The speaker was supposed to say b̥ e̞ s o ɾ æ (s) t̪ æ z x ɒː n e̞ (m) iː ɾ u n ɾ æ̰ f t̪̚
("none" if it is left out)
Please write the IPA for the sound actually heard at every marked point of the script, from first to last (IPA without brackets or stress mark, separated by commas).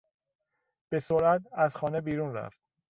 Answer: none, b